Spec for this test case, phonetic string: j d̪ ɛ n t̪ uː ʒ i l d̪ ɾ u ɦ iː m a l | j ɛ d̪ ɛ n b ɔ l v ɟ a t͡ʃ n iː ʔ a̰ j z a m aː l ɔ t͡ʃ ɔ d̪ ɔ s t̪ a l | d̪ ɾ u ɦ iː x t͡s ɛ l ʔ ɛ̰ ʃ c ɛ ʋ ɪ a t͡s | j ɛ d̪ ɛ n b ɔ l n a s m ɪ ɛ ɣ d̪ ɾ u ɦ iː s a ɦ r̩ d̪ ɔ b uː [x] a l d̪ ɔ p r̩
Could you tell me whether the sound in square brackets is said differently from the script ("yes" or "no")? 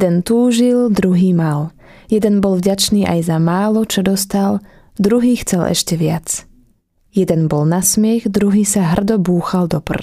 no